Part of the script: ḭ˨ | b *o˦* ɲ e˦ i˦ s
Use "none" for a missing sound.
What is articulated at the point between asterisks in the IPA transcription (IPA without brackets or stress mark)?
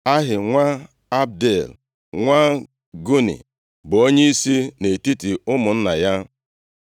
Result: o˦